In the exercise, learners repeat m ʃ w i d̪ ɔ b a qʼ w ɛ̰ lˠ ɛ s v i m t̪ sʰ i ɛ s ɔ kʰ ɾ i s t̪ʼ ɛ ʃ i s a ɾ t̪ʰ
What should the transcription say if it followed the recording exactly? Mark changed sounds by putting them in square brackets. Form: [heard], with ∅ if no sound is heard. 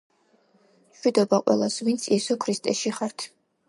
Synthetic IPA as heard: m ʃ w i d̪ ɔ b a qʼ w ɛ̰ lˠ [a] s v i [n] t̪ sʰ i ɛ s ɔ kʰ ɾ i s t̪ʼ ɛ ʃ i [χ] a ɾ t̪ʰ

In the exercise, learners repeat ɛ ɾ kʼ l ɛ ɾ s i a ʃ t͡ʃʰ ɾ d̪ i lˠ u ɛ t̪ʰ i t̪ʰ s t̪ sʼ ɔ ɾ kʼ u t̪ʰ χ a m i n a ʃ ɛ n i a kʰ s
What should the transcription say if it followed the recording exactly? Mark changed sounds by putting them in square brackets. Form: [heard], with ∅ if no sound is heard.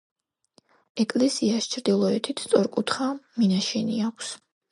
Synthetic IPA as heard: ɛ [∅] kʼ l ɛ [∅] s i a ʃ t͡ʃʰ ɾ d̪ i lˠ [ɔ] ɛ t̪ʰ i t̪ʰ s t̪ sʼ ɔ ɾ kʼ u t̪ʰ χ a m i n a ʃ ɛ n i a kʰ s

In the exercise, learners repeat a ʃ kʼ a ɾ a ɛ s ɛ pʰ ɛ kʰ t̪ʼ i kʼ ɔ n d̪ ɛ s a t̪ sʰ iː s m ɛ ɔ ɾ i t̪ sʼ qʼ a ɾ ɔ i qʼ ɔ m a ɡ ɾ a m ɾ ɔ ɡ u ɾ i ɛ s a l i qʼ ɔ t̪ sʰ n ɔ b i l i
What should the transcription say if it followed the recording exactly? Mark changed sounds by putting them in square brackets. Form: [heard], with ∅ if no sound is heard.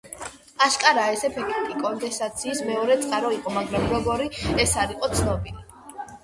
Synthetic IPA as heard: a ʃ kʼ a ɾ a ɛ s ɛ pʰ ɛ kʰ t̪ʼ i kʼ ɔ n d̪ ɛ s a t̪ sʰ iː s m ɛ ɔ ɾ [ɛ] t̪ sʼ qʼ a ɾ ɔ i qʼ ɔ m a ɡ ɾ a m ɾ ɔ ɡ [ɔ] ɾ i ɛ s a [ɾ] i qʼ ɔ t̪ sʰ n ɔ b i l i

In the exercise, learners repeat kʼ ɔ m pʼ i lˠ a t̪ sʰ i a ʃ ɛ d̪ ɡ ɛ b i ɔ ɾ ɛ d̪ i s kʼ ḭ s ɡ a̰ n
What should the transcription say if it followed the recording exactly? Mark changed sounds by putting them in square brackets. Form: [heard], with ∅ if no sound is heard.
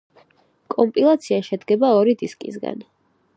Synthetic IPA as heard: kʼ ɔ m pʼ i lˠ a t̪ sʰ i a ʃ ɛ d̪ ɡ ɛ b [a] ɔ ɾ [i] d̪ i s kʼ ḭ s ɡ a̰ n

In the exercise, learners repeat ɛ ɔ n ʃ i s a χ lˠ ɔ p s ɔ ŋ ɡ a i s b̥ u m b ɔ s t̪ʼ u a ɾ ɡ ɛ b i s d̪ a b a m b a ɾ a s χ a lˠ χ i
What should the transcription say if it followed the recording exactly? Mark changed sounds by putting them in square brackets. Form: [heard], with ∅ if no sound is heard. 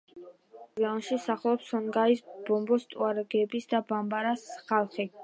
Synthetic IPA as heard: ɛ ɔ n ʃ i s a χ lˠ ɔ p s ɔ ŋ ɡ a i s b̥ [ɔ] m b ɔ s t̪ʼ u a ɾ ɡ ɛ b i s d̪ a b a m b a ɾ a s χ a lˠ χ i

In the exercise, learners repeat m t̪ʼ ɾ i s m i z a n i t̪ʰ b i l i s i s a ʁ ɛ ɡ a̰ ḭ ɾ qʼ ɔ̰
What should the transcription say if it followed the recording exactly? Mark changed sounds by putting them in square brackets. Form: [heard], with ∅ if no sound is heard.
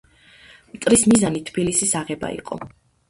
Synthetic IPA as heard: m t̪ʼ ɾ i s m i z a n i t̪ʰ b i l i s i s a ʁ ɛ [b] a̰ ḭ [∅] qʼ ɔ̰

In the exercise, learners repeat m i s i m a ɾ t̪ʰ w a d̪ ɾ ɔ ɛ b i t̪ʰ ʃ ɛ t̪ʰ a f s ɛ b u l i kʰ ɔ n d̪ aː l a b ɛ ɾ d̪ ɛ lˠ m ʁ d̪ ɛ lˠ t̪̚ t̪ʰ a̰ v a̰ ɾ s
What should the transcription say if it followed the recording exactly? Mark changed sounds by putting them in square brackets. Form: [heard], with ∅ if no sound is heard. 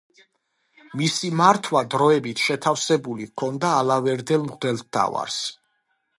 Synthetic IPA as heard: m i s i m a ɾ t̪ʰ w a d̪ ɾ ɔ ɛ b i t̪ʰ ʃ ɛ t̪ʰ a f s ɛ b u l i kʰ ɔ n d̪ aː l a [v] ɛ ɾ d̪ ɛ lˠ m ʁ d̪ ɛ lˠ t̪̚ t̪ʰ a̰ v a̰ ɾ s

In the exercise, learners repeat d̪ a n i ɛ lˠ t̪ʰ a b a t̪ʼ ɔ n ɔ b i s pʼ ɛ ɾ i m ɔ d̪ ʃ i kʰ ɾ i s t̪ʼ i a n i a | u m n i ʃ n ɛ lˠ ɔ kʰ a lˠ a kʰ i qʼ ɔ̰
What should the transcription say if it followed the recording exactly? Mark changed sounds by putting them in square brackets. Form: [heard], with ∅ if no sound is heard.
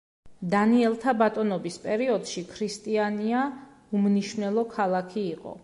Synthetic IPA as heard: d̪ a n i ɛ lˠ t̪ʰ a b a t̪ʼ ɔ n ɔ b i s pʼ ɛ ɾ i [∅] ɔ d̪ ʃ i kʰ ɾ i s t̪ʼ i a n i a | u m n i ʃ n ɛ lˠ ɔ kʰ a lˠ a kʰ [iː] qʼ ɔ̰

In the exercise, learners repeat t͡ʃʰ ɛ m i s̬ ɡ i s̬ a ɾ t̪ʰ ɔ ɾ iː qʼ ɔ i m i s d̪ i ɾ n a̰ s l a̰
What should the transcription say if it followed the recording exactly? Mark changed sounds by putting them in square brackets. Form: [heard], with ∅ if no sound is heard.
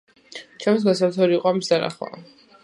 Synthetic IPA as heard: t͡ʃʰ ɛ m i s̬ ɡ [a] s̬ a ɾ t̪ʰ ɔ ɾ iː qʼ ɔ [a] m i s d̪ [a] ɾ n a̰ [χ] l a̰

